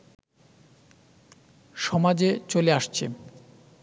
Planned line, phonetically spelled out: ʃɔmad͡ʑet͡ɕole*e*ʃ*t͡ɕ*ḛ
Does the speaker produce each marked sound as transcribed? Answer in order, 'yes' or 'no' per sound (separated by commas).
no, no